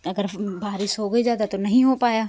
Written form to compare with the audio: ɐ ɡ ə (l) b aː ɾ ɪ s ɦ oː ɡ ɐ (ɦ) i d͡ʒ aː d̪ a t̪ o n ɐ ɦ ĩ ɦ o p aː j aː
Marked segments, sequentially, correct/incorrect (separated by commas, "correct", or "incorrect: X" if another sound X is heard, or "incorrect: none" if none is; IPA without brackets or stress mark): incorrect: ɾ, incorrect: none